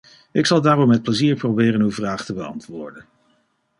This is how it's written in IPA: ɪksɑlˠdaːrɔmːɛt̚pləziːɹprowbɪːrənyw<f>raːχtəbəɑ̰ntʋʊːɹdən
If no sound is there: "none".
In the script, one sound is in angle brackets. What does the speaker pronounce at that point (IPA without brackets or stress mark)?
v